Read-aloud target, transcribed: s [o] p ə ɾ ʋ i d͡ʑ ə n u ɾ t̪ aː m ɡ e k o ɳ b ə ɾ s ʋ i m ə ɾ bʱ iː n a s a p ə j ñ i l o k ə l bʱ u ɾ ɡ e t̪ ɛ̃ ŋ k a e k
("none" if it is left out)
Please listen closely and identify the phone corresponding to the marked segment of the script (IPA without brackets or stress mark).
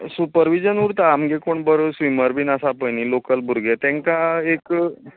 u